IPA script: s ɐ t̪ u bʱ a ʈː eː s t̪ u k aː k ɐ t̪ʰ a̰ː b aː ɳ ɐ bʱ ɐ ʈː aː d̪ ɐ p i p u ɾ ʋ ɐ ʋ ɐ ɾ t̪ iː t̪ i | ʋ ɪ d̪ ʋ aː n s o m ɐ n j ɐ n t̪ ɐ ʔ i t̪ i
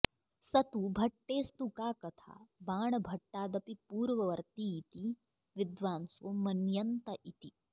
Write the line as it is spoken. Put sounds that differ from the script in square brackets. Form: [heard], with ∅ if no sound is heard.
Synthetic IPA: s ɐ t̪ u bʱ [ɐ] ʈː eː s t̪ u k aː k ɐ t̪ʰ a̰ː b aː ɳ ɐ bʱ ɐ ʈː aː d̪ ɐ p i p [uː] ɾ ʋ ɐ ʋ ɐ ɾ t̪ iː t̪ i | ʋ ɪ d̪ ʋ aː n s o m ɐ n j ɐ n t̪ ɐ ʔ i t̪ i